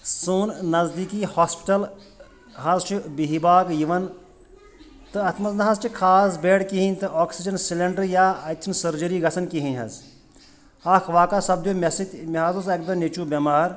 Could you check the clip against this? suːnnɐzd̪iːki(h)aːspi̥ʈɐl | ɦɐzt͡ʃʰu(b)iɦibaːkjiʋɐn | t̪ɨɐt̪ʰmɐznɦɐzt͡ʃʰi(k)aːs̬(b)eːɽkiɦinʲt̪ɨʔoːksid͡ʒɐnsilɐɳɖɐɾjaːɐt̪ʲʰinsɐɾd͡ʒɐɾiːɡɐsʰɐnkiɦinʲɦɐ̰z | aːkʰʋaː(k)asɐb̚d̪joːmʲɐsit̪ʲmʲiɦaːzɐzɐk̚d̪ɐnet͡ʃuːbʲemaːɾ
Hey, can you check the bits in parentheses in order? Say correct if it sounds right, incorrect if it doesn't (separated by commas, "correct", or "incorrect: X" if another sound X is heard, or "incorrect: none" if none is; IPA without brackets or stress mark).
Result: correct, correct, incorrect: kʰ, correct, correct